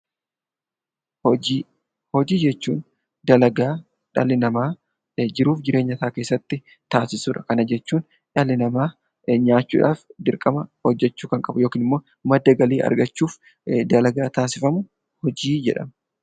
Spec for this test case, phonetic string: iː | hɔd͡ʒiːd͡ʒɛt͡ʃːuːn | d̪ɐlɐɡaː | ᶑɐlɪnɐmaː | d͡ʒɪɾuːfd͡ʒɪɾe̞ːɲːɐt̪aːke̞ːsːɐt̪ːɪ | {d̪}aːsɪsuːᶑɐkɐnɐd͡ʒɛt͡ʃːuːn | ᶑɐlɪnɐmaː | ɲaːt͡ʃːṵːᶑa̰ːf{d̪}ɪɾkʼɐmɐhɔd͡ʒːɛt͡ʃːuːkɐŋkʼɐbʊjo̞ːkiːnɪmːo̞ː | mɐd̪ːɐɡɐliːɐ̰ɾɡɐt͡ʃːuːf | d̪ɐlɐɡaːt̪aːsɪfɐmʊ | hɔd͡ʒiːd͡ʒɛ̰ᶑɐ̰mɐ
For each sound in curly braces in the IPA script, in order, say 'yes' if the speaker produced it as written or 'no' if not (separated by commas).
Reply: no, yes